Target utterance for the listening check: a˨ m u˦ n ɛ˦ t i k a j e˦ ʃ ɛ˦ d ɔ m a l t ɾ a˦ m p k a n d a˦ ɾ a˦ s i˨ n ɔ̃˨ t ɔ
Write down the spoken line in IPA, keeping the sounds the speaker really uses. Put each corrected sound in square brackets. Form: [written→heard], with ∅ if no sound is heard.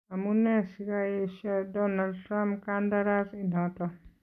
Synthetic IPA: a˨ m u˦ n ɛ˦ [t→s] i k a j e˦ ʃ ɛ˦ d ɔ [m→n] a l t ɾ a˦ m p k a n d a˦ ɾ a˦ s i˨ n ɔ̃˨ t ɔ